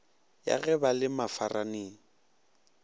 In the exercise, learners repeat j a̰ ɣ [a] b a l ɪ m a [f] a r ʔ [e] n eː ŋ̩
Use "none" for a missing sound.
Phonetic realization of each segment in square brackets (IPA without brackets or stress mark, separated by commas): ɛ, f, a